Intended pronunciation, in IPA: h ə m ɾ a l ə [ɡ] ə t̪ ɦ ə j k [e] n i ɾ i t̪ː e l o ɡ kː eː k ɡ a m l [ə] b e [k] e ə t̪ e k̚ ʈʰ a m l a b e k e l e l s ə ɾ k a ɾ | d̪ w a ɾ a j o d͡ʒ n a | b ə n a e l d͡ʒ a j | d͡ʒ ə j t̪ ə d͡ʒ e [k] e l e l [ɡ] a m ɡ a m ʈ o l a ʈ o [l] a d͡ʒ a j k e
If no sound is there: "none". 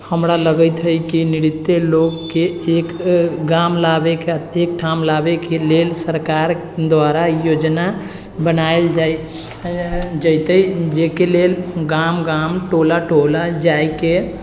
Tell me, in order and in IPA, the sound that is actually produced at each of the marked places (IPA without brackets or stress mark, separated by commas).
ɡ, i, a, k, k, ɡ, l